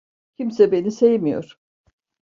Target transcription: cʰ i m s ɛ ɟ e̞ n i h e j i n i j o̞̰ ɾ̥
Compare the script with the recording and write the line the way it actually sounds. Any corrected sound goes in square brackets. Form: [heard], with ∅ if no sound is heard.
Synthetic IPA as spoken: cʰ i m s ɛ [b] e̞ n i [s] e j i [m] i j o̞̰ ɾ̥